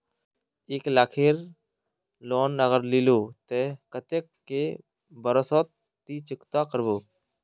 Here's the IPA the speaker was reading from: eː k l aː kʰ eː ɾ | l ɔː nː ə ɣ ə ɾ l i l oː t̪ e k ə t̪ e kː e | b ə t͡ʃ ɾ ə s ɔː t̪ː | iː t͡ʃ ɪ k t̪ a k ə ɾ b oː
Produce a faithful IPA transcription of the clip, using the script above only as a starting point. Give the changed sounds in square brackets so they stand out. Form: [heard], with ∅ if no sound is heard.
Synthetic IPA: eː k l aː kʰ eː ɾ | l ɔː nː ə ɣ ə ɾ l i l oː t̪ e k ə t̪ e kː e | b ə [∅] ɾ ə s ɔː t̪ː | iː t͡ʃ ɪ k t̪ a k ə ɾ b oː